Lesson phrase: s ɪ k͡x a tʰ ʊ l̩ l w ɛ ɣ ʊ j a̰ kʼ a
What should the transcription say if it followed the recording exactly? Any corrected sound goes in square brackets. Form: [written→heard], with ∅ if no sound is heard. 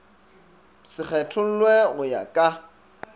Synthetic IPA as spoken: s ɪ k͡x [a→ɛ] tʰ ʊ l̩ l w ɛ ɣ ʊ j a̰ kʼ a